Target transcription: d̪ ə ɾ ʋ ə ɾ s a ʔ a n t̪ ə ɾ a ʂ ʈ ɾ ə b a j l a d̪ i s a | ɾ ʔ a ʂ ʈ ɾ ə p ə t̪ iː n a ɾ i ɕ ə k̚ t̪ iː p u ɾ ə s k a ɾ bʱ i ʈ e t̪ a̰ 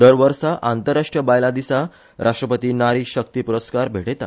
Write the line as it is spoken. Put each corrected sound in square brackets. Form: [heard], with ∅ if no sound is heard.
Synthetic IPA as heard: d̪ ə ɾ ʋ ə ɾ s a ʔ a n t̪ ə ɾ a ʂ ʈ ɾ ə b a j l a d̪ i s a | ɾ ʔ a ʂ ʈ ɾ ə p ə t̪ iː n a ɾ i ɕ ə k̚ t̪ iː p u ɾ ə s k a ɾ bʱ [e] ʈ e t̪ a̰